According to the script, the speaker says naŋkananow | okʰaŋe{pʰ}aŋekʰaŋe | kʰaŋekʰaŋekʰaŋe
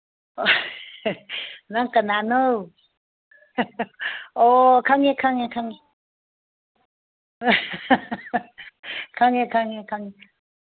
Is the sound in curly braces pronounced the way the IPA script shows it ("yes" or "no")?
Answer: no